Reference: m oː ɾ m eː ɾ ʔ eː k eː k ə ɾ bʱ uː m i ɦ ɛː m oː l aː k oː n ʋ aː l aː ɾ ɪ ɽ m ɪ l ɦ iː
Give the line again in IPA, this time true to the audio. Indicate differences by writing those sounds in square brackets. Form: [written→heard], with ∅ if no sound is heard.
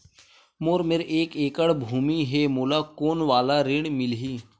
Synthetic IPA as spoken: m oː ɾ m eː ɾ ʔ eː k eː k ə [ɾ→ɽ] bʱ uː m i ɦ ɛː m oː l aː k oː n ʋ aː l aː ɾ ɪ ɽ m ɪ l ɦ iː